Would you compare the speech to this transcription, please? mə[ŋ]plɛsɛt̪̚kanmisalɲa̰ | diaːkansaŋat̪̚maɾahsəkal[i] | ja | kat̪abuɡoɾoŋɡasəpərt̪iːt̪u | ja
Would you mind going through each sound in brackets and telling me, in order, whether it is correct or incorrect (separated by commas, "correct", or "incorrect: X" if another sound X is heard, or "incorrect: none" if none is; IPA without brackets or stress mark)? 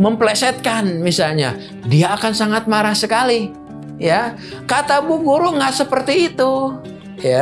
incorrect: m, correct